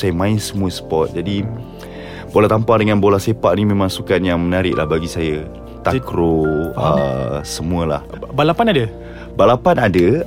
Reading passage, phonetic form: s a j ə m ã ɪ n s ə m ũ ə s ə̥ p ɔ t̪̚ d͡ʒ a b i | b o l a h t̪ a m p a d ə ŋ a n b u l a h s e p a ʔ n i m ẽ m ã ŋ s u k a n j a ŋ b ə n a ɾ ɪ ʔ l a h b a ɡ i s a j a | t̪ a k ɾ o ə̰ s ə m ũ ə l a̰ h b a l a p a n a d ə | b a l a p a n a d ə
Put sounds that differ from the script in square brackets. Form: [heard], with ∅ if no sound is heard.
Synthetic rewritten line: s a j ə m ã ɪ n s ə m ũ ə s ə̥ p ɔ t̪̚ d͡ʒ a [d] i | b o l a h t̪ a m p a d ə ŋ a n b [o] l a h s e p a ʔ n i m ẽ m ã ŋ s u k a n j a ŋ [m] ə n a ɾ ɪ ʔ l a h b a ɡ i s a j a | t̪ a k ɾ o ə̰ s ə m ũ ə l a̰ h b a l a p a n a d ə | b a l a p a n a d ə